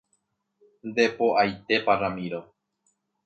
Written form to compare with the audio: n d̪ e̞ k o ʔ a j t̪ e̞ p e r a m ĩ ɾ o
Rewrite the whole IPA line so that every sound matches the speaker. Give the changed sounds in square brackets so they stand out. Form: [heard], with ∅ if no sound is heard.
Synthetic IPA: n d̪ e̞ [p] o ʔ a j t̪ e̞ p [a] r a m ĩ ɾ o